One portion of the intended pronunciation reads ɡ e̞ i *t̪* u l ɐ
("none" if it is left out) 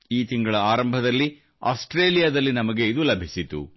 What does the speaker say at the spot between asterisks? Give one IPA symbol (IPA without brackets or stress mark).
d̪